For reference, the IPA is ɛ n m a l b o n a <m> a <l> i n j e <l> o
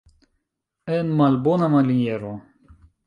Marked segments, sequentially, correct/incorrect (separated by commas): correct, correct, incorrect